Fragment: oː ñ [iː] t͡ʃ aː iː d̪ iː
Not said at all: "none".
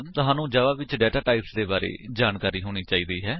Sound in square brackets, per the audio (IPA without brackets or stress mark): iː